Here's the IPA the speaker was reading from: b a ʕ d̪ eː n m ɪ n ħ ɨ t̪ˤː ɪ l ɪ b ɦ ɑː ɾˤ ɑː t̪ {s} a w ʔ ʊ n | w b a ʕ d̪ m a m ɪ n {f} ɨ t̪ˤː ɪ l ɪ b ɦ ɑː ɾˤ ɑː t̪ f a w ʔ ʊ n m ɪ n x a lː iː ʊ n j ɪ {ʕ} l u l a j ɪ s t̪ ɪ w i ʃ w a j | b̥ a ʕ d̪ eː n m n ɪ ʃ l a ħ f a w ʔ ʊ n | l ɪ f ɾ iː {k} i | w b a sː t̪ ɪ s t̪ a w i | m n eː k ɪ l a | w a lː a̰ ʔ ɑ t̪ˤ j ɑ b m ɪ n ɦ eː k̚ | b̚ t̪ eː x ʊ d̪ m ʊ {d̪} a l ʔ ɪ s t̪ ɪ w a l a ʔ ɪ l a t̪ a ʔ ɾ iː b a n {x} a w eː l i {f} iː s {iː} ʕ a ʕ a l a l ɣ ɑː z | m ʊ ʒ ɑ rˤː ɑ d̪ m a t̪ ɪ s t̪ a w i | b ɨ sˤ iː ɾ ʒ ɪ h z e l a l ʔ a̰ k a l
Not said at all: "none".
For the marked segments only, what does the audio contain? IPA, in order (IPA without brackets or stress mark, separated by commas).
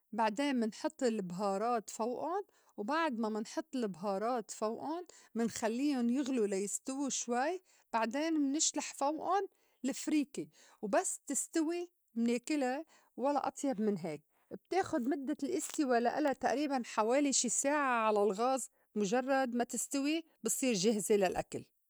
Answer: f, ħ, ɣ, k, d̪ː, ħ, ʃ, aː